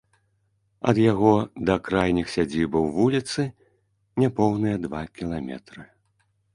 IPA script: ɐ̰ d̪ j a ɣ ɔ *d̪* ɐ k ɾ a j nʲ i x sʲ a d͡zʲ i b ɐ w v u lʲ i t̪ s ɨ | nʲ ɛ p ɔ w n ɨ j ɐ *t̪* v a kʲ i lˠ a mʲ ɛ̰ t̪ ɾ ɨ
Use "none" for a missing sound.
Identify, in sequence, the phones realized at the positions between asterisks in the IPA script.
d̪, d̪

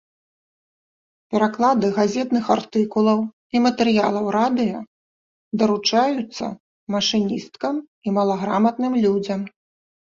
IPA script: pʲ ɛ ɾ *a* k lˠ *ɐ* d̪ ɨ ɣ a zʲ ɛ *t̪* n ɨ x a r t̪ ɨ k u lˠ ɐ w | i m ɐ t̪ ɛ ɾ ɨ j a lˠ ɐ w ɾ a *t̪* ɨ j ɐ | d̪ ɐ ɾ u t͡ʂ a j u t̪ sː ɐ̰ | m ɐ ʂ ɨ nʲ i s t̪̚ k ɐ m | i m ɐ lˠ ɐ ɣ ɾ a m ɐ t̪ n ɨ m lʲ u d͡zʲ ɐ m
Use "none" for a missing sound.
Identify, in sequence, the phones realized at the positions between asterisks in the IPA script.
a, a, t̪, d̪

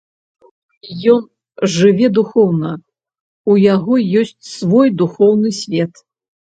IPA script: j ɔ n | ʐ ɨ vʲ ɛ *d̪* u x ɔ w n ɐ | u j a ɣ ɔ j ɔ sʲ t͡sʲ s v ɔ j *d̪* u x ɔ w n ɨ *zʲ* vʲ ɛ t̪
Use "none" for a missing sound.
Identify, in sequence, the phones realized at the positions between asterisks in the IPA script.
d̪, d̪, sʲ

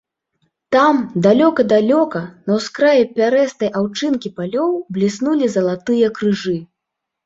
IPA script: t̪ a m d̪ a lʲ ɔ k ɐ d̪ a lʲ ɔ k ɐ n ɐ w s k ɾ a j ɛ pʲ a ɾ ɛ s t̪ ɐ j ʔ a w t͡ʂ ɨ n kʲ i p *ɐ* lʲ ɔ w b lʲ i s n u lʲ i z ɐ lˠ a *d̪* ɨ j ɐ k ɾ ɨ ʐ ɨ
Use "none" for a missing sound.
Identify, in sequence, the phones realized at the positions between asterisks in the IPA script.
a, t̪

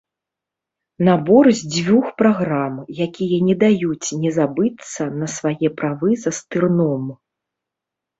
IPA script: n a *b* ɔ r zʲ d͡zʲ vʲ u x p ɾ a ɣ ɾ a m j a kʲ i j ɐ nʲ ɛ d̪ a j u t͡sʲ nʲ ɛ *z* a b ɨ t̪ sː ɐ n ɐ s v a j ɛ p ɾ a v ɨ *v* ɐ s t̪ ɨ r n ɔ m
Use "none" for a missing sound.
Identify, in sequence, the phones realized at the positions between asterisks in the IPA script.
b, z, z

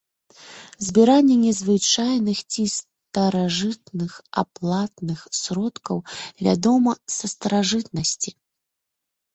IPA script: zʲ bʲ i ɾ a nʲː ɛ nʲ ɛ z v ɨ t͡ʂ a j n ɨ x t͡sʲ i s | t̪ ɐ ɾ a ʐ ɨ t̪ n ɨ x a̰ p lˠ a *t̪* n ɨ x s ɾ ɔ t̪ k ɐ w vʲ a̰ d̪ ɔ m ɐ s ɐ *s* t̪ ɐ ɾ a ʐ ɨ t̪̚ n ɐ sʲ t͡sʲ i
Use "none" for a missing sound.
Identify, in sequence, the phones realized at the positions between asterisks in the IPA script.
t̪, s

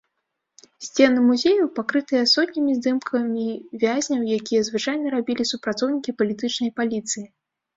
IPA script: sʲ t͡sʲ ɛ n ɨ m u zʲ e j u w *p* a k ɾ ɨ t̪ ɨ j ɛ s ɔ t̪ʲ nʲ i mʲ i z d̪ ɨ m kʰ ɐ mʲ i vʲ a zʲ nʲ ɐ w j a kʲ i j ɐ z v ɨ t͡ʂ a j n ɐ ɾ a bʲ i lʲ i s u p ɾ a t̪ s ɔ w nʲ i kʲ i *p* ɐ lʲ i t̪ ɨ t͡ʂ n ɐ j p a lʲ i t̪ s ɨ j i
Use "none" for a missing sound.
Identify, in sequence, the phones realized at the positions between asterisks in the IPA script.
p, p

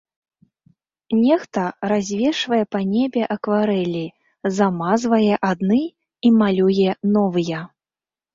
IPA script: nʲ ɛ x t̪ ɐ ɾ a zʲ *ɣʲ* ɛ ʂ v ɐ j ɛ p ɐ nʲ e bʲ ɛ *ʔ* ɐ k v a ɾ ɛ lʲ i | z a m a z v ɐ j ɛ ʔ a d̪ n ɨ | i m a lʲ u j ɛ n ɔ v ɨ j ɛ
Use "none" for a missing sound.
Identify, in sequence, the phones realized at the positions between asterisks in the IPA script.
vʲ, ʔ

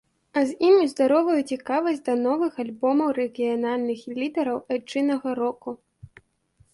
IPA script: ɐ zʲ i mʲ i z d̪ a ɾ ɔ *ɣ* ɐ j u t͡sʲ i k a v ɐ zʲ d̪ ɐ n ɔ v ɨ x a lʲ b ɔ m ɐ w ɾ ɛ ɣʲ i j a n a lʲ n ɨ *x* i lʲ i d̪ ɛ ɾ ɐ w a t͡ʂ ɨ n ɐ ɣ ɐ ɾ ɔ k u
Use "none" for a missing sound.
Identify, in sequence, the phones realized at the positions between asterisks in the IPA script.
v, x

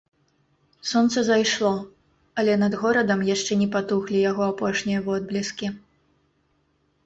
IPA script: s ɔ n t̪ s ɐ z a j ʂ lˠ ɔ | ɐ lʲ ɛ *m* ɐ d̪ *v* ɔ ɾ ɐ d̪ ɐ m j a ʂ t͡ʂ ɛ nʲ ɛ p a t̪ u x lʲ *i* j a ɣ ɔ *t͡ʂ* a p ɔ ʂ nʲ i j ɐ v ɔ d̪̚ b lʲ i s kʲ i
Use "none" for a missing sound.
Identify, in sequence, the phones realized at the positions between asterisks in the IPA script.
n, ɣ, i, none

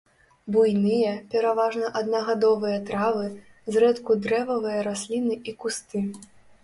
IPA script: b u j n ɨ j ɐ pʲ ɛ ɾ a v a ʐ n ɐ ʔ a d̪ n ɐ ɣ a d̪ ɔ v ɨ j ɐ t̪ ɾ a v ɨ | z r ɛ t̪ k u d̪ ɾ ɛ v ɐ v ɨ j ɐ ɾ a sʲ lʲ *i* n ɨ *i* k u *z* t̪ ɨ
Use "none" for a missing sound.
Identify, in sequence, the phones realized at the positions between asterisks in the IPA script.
i, i, s

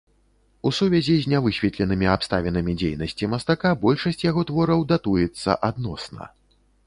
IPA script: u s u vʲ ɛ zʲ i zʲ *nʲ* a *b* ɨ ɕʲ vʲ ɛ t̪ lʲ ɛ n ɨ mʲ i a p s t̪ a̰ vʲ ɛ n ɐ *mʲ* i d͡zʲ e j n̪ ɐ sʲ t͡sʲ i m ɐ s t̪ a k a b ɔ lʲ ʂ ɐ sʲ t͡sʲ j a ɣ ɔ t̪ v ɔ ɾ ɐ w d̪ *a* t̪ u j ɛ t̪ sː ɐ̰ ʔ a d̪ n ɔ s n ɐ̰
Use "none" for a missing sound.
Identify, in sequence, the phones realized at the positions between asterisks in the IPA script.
nʲ, v, mʲ, a

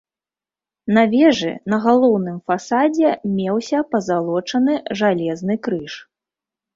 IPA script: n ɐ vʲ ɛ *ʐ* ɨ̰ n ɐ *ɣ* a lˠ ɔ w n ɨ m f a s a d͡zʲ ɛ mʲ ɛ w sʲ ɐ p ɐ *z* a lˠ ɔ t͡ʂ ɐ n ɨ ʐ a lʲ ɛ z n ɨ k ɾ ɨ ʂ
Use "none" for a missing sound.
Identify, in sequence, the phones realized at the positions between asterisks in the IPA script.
ʐ, ɣ, z

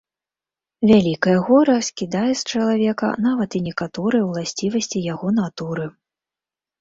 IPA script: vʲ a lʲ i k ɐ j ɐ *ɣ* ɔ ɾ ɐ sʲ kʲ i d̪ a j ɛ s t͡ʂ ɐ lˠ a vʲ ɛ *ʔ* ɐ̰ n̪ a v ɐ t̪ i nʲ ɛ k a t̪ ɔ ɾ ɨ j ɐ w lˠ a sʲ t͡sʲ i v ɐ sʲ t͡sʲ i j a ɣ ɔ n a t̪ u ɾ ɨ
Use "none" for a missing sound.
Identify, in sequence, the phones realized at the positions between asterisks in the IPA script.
ɣ, k

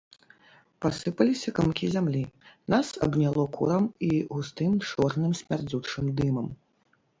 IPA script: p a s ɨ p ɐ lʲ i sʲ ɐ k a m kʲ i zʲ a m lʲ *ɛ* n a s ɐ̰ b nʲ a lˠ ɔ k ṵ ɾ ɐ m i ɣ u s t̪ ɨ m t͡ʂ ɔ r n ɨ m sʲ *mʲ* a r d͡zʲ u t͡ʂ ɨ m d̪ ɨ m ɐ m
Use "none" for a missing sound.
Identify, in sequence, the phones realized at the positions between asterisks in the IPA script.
i, mʲ

